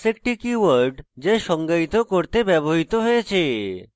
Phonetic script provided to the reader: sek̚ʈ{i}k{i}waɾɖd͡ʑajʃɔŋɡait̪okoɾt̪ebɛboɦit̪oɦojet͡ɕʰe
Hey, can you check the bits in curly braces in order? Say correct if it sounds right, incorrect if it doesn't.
correct, correct

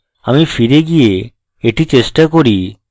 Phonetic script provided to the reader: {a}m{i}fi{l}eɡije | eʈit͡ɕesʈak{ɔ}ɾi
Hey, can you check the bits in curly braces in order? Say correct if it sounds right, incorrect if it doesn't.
correct, correct, incorrect: ɾ, incorrect: o

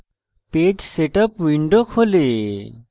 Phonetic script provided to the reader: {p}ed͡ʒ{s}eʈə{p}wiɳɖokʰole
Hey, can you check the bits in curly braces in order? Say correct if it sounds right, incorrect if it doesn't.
correct, correct, correct

